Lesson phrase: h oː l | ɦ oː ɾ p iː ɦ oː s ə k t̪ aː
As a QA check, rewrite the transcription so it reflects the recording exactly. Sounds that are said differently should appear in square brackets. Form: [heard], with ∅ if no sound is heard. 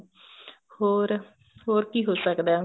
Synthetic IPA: h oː [ɾ] | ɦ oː ɾ [k] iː ɦ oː s ə k [d̪] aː